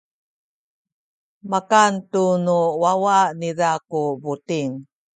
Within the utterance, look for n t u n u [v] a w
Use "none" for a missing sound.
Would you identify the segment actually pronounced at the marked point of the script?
w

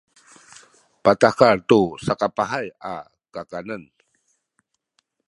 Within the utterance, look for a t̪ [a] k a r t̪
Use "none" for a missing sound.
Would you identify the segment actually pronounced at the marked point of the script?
a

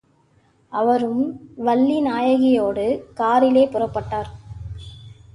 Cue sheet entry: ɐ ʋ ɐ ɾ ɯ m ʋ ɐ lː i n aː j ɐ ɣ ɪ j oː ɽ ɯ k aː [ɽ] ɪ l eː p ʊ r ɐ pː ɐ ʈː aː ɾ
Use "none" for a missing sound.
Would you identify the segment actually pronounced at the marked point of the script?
ɾ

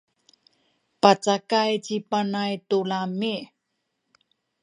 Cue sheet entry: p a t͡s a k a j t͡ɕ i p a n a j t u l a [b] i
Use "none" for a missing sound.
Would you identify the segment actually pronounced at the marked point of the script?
m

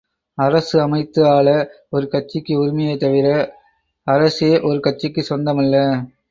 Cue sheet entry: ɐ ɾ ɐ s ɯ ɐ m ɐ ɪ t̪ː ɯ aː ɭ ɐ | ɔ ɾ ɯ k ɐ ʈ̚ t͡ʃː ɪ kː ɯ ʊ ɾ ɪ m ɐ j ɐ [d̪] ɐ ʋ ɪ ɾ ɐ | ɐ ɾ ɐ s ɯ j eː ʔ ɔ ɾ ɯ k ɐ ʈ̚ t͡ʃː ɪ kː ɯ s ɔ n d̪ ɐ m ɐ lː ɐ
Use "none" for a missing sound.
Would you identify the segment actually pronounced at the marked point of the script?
t̪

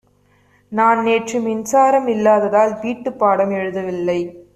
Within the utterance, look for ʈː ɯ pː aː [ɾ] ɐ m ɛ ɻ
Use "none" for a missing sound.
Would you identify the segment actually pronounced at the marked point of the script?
ɽ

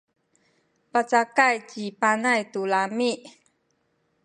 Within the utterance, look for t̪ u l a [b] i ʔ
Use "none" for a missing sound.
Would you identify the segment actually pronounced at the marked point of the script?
m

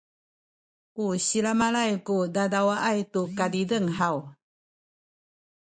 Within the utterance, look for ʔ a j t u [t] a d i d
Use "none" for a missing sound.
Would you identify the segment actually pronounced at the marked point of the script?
k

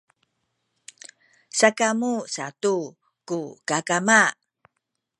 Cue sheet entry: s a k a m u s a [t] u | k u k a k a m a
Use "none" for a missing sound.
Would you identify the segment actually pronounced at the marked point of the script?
t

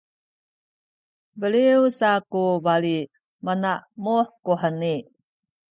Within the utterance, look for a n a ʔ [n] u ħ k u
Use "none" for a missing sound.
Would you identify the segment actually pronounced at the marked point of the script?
m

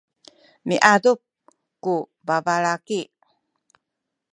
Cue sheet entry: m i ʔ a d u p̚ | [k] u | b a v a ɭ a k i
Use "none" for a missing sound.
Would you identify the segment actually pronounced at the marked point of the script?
k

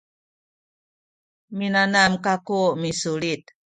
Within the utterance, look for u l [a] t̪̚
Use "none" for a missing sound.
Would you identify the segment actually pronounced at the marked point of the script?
i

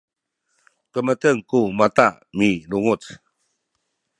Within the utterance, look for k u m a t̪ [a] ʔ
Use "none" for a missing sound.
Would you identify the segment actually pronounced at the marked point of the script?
a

